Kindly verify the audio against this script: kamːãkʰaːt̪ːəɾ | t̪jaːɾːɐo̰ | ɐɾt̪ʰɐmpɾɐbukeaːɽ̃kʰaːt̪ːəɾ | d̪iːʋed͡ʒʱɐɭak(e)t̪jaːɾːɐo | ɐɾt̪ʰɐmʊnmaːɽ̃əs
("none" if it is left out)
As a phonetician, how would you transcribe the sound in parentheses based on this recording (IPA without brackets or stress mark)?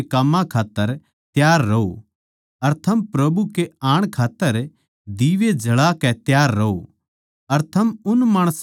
ɛ